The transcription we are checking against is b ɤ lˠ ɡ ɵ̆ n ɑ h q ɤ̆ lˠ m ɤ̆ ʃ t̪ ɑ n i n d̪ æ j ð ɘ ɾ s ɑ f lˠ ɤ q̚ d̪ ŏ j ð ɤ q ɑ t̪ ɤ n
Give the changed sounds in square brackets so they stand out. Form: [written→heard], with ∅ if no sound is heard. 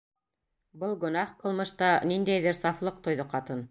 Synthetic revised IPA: b ɤ lˠ ɡ ɵ̆ n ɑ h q ɤ̆ lˠ m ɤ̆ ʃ t̪ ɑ n i n d̪ æ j ð ɘ ɾ s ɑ f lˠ ɤ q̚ [d̪→t̪] ŏ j ð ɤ q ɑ t̪ ɤ n